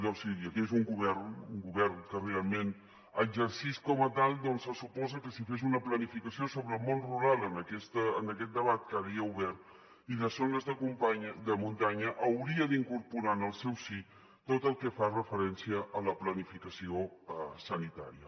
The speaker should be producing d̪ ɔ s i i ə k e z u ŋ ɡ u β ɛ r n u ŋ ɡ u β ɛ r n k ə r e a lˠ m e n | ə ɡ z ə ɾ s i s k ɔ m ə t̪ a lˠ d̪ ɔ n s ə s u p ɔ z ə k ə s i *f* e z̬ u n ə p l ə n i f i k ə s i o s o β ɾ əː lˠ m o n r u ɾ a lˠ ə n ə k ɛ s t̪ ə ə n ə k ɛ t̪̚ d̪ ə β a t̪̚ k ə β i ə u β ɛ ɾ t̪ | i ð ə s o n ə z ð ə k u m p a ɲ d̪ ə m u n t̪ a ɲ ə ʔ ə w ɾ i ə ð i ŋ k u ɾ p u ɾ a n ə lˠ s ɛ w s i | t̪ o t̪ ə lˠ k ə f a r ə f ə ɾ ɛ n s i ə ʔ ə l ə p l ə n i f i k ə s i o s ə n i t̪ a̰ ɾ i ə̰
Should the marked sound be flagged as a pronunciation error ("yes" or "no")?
no